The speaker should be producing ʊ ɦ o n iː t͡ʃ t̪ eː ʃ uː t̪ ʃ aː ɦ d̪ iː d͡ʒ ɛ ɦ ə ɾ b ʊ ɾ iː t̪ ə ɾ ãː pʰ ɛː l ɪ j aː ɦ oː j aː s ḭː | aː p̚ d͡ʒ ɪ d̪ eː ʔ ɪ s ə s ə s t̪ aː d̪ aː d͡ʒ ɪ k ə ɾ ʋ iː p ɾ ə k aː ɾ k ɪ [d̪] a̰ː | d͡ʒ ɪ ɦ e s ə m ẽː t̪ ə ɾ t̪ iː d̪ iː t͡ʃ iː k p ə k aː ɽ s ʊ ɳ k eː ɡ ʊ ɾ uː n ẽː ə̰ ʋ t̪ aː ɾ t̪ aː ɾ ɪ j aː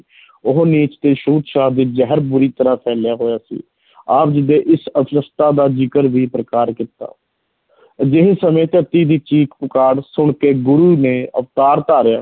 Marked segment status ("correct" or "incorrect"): incorrect